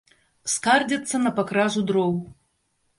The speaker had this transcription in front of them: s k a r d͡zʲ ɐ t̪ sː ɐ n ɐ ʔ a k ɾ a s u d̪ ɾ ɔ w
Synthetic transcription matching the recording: s k a r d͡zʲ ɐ t̪ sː ɐ n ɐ p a k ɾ a z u d̪ ɾ ɔ w